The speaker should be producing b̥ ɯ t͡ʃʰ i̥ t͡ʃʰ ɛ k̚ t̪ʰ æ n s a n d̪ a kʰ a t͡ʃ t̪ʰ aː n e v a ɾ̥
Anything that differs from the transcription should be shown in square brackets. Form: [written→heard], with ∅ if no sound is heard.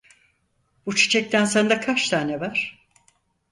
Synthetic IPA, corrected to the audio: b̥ [ɯ→u] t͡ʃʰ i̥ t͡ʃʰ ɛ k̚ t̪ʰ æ n s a n d̪ a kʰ a t͡ʃ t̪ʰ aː n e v a ɾ̥